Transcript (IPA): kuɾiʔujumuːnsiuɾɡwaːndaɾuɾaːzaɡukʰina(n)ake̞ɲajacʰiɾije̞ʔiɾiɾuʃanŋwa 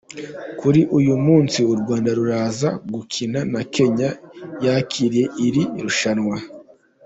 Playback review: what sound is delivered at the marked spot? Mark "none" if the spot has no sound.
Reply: n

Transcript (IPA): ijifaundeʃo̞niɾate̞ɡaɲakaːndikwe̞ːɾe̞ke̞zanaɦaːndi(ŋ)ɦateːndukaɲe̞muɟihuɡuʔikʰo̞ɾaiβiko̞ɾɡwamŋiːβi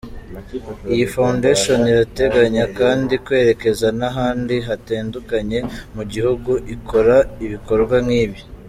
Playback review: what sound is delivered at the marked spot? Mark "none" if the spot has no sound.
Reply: none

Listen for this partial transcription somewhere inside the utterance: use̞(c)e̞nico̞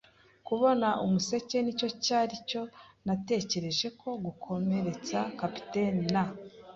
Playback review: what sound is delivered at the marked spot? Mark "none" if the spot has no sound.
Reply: c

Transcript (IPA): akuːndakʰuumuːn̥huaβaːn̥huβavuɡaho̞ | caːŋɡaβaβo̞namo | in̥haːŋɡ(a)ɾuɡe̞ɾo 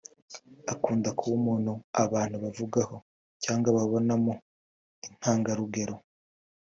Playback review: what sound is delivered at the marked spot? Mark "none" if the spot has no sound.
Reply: a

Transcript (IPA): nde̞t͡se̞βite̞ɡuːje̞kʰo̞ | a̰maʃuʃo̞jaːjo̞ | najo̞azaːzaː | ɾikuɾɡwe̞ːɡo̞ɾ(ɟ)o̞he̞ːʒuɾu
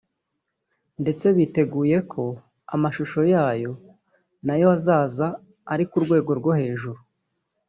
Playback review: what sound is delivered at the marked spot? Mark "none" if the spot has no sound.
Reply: ɡ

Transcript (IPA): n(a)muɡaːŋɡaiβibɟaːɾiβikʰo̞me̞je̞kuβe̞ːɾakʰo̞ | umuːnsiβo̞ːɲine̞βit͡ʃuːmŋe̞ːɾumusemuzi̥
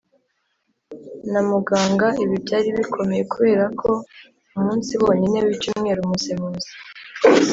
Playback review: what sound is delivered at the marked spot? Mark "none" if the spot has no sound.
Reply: a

